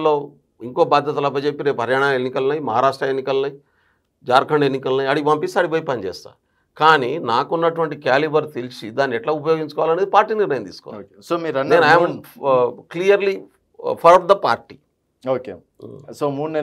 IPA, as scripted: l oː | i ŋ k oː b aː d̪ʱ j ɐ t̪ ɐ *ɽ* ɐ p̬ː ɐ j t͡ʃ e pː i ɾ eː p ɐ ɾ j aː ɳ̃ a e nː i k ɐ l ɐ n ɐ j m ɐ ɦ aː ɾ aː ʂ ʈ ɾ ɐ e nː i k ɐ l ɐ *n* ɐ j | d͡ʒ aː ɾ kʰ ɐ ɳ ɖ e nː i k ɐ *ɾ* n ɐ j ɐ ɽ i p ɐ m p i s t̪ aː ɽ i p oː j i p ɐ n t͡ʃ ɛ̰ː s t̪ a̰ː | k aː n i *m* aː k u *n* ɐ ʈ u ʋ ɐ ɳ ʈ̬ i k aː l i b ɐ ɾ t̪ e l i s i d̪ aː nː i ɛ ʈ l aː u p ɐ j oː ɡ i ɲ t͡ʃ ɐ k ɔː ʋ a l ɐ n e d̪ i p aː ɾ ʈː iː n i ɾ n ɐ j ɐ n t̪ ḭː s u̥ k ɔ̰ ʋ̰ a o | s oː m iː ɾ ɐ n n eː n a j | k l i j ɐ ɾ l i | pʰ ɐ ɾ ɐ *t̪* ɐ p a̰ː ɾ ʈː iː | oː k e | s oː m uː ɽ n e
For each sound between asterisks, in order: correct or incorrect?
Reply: incorrect, correct, incorrect, incorrect, incorrect, incorrect

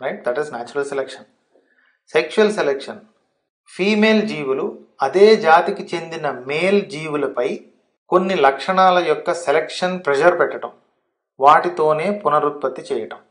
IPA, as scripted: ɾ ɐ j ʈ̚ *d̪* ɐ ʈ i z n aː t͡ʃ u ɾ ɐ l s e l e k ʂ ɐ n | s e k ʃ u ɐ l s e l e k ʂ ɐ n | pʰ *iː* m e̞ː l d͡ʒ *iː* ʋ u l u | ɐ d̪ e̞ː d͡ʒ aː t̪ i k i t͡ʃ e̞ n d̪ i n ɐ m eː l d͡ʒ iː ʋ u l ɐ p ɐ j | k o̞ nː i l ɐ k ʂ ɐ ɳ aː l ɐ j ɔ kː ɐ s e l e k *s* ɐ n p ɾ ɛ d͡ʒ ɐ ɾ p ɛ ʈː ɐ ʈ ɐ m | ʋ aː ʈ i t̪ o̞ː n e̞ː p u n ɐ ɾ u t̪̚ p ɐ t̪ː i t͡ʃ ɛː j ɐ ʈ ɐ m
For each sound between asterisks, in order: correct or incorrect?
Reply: correct, correct, correct, incorrect

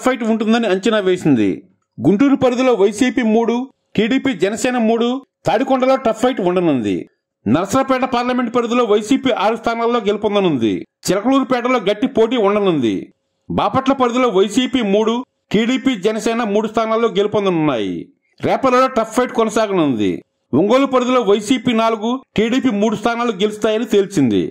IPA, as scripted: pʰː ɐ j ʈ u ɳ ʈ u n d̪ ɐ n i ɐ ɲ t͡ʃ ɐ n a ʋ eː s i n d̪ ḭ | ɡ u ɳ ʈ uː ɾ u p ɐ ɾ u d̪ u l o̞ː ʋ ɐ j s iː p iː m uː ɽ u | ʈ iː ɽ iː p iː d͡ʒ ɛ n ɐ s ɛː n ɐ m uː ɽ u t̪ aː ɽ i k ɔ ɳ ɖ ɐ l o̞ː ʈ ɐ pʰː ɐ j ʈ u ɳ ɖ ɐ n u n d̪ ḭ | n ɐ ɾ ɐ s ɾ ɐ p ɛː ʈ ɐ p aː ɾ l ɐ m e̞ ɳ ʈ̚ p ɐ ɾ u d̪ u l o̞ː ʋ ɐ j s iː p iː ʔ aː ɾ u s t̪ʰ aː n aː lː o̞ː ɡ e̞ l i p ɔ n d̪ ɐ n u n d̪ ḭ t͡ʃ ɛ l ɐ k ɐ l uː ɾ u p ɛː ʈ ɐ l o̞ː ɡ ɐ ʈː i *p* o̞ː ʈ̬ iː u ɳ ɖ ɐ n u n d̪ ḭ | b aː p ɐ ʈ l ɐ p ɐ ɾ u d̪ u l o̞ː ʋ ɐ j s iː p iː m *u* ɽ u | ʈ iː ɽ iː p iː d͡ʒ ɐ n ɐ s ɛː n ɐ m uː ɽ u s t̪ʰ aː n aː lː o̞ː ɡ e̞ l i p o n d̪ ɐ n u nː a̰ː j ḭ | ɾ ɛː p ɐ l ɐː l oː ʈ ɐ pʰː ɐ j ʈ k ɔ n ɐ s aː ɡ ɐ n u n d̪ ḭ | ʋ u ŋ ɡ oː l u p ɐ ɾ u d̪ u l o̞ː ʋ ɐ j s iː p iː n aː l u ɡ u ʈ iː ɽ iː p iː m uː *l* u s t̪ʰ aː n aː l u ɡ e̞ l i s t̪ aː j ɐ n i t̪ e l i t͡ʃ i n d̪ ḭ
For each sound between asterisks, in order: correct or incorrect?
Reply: correct, incorrect, incorrect

